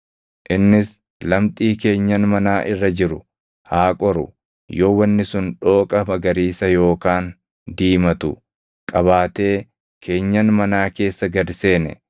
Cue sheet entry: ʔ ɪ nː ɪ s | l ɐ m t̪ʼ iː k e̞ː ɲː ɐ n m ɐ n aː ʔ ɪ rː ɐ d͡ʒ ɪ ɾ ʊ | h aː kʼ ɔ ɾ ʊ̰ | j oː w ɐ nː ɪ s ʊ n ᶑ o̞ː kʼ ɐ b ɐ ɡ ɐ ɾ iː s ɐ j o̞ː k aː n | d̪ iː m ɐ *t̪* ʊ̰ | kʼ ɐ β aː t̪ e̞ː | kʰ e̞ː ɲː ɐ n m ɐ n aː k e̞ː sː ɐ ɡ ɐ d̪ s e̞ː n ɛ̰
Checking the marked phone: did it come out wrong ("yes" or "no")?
no